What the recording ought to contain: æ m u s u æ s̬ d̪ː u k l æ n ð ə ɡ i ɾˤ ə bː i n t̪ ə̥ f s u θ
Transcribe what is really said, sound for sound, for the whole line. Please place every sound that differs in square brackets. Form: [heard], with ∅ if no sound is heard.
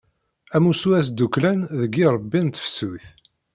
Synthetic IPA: æ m u s u æ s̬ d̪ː u k l æ n ð ə ɡ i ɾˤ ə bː i n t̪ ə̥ f s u θ